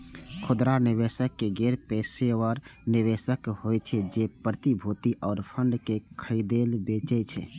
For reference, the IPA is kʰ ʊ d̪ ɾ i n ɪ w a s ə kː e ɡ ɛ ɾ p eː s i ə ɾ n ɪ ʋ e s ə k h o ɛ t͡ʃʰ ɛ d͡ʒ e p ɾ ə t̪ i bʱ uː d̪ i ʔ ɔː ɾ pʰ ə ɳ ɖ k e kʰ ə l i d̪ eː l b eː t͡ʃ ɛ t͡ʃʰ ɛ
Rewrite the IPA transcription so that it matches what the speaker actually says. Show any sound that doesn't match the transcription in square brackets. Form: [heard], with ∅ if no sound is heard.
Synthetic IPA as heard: kʰ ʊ d̪ ɾ [a] n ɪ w [e] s ə kː e ɡ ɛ ɾ p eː s [e] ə ɾ n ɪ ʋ e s ə k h o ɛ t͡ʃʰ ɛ d͡ʒ e p ɾ ə t̪ i bʱ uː [t̪] i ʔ ɔː ɾ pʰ ə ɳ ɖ k e kʰ ə [ɾ] i d̪ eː l b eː t͡ʃ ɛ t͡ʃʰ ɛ